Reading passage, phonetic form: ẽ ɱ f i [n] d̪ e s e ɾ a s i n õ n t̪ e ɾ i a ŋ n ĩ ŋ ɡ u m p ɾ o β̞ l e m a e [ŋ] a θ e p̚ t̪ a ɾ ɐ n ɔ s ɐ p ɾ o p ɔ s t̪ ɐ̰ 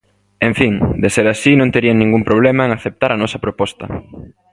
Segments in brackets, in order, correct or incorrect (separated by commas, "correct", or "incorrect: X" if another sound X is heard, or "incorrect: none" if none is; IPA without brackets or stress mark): incorrect: ŋ, correct